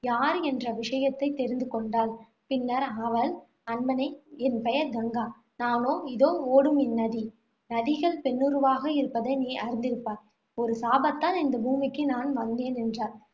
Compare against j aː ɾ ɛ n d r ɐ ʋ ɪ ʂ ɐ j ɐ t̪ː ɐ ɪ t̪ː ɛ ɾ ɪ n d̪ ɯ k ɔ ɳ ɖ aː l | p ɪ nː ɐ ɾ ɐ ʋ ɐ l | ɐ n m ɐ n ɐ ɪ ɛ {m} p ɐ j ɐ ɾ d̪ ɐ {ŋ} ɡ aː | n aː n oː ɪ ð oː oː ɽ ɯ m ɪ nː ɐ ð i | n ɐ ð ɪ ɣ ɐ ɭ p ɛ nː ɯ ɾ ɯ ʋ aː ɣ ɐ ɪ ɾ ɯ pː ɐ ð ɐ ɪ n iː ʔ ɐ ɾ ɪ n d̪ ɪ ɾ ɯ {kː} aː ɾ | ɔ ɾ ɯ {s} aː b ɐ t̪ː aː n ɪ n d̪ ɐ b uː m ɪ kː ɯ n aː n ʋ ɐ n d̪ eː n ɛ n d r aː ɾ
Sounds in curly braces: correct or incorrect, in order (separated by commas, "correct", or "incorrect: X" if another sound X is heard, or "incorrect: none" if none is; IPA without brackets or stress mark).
incorrect: n, correct, incorrect: pː, correct